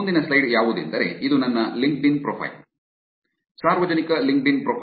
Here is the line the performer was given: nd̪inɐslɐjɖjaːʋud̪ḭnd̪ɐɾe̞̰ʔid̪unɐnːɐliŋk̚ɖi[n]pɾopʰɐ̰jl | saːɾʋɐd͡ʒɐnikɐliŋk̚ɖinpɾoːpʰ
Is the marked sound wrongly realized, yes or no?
no